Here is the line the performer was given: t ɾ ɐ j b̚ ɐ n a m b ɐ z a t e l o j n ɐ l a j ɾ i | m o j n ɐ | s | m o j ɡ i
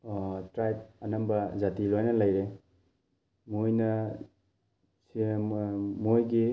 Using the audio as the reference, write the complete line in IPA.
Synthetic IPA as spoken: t ɾ a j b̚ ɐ n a m b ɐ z a t i l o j n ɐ l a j ɾ e | m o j n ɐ | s | m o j ɡ i